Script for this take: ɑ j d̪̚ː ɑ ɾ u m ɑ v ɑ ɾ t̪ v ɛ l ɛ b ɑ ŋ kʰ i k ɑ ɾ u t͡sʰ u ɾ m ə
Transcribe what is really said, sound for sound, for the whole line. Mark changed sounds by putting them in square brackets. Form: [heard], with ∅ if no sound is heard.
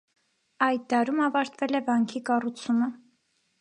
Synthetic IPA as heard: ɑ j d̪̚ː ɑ ɾ u m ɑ v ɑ ɾ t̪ v ɛ l ɛ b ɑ ŋ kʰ i k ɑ [r] u t͡sʰ u [∅] m ə